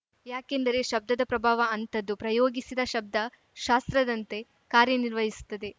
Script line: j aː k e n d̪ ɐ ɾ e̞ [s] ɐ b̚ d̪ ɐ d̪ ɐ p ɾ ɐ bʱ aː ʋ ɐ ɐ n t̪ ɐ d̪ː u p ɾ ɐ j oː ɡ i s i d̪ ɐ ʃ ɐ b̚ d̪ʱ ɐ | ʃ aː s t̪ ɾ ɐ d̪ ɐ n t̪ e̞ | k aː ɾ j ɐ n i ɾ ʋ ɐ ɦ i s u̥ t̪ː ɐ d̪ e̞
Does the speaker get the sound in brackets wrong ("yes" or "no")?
yes